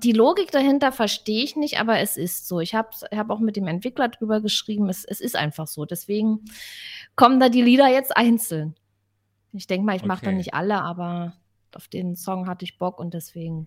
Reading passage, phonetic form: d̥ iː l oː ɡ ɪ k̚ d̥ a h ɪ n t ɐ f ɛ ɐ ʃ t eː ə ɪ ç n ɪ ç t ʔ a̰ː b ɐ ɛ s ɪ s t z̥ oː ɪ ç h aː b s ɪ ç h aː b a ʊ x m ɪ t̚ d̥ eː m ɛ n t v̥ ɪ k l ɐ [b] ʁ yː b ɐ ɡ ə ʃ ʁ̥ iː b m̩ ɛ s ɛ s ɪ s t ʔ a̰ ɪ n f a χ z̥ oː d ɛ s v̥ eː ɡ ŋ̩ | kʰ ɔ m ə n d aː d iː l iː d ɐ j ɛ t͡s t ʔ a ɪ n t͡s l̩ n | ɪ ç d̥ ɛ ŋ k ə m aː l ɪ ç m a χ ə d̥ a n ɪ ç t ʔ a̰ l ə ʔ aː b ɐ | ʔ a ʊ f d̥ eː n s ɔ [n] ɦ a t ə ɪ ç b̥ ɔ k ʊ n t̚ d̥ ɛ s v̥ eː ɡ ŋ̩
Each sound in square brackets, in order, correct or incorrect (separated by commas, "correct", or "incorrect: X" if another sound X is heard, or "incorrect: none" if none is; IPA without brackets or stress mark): incorrect: d, incorrect: ŋ